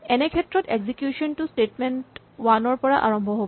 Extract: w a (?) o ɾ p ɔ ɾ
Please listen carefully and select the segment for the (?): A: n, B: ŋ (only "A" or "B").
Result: A